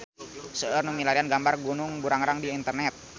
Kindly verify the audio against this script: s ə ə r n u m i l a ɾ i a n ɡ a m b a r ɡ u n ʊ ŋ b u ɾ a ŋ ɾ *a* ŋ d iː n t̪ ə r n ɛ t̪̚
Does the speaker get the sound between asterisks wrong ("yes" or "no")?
no